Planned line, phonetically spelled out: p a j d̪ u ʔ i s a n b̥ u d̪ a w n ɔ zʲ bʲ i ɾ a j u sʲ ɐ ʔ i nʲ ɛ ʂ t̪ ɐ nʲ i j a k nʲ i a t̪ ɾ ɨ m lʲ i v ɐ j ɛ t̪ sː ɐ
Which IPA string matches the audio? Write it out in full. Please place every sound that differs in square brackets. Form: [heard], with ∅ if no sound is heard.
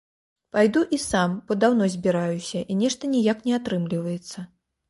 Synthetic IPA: p a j d̪ u ʔ i s a [m] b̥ [ɔ] d̪ a w n ɔ zʲ bʲ i ɾ a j u sʲ ɐ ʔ i nʲ ɛ ʂ t̪ ɐ nʲ i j a k nʲ [ɛ] a t̪ ɾ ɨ m lʲ i v ɐ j ɛ t̪ sː ɐ

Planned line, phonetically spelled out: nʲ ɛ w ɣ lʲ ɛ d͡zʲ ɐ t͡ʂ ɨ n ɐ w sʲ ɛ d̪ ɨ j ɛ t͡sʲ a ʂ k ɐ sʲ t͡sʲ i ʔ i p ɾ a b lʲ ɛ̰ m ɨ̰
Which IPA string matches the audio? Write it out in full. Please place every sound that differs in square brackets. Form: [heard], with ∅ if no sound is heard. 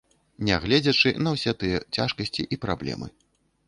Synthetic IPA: nʲ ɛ [∅] ɣ lʲ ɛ d͡zʲ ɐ t͡ʂ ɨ n ɐ w sʲ ɛ [t̪] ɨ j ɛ t͡sʲ a ʂ k ɐ sʲ t͡sʲ i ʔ i p ɾ a b lʲ ɛ̰ m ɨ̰

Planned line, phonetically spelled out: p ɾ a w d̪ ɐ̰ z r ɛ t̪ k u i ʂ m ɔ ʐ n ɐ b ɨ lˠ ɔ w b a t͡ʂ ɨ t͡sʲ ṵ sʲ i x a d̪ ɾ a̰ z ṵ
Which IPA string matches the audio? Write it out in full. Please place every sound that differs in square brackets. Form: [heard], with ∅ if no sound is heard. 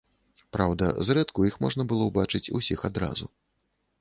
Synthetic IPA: p ɾ a w d̪ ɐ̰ z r ɛ t̪ k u i [x] m ɔ ʐ n ɐ b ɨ lˠ ɔ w b a t͡ʂ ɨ t͡sʲ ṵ sʲ i x a d̪ ɾ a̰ z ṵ

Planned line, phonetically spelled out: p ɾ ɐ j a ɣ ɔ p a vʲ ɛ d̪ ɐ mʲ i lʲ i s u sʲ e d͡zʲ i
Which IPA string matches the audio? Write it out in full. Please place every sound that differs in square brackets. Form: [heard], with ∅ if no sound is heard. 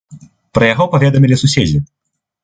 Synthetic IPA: p ɾ ɐ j a ɣ ɔ p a vʲ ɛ d̪ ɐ mʲ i lʲ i s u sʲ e d͡zʲ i

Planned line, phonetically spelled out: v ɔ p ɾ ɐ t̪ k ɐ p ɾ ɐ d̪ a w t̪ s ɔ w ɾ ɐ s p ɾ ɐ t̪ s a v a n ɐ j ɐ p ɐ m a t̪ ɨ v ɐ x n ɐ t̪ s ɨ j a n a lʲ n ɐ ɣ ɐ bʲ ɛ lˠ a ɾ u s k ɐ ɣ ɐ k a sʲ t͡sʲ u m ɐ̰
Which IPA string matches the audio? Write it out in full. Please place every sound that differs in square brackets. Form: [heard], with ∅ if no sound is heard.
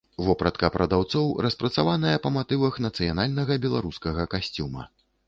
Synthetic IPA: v ɔ p ɾ ɐ t̪ k ɐ p ɾ ɐ d̪ a w t̪ s ɔ w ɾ ɐ s p ɾ ɐ t̪ s a v a n ɐ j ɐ p ɐ m a t̪ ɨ v ɐ x n ɐ t̪ s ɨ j a n a lʲ n ɐ ɣ ɐ bʲ ɛ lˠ a ɾ u s k ɐ ɣ ɐ k a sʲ t͡sʲ u m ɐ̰

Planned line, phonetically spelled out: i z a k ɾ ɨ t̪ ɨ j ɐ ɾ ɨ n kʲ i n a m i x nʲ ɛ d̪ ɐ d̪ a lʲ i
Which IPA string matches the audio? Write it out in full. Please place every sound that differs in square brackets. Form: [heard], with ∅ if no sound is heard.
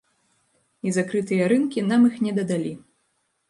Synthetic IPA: i z a k ɾ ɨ t̪ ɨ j ɐ ɾ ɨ n kʲ i n a m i x nʲ ɛ d̪ ɐ d̪ a lʲ i

